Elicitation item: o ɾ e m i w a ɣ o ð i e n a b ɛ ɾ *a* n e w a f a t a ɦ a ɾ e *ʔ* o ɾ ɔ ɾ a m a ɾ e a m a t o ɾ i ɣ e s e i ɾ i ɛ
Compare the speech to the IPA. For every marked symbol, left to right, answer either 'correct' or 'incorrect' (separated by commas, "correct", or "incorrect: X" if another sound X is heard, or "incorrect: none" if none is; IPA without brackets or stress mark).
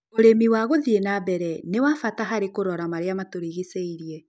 incorrect: ɛ, incorrect: k